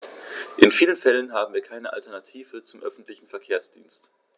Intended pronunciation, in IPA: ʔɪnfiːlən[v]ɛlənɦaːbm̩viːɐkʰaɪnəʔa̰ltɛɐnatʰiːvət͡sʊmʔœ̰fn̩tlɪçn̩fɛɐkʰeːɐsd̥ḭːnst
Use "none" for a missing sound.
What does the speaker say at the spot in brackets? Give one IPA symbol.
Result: f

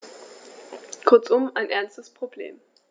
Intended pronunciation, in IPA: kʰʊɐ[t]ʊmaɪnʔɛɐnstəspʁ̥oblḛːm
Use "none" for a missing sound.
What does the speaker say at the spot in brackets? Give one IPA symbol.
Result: t͡s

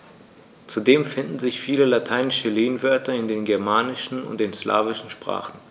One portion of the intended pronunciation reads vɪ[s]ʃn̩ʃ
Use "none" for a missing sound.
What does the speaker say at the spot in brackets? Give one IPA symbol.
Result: none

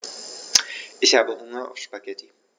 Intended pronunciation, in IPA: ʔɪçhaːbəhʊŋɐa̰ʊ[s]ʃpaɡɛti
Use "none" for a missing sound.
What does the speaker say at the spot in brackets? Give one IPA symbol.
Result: f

